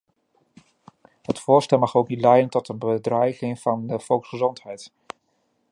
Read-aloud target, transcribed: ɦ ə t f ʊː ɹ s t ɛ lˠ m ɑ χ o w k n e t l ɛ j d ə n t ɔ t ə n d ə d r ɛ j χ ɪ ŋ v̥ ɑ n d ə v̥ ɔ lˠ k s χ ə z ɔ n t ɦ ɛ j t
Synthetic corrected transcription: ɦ ə t f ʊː ɹ s t ɛ lˠ m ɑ χ o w k n i t l ɛ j d ə n t ɔ t ə n b ə d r ɛ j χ ɪ ŋ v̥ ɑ n d ə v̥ ɔ lˠ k s χ ə z ɔ n t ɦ ɛ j t